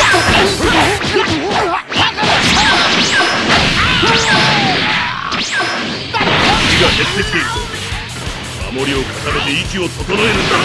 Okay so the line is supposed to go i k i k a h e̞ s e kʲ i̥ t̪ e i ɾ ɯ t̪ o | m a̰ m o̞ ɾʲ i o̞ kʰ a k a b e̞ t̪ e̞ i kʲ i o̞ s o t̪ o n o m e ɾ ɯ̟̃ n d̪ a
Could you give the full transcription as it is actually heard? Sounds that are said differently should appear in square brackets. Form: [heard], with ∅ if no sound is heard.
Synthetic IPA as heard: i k i [ɡ] a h e̞ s e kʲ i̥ t̪ e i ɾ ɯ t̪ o | m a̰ m o̞ ɾʲ i o̞ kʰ a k a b e̞ t̪ e̞ i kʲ i o̞ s o t̪ o n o [∅] e ɾ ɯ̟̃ n d̪ a